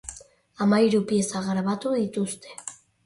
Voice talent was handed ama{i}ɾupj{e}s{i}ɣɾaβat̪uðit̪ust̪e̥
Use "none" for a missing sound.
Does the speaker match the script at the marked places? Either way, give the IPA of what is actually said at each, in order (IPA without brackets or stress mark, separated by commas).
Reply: j, e, a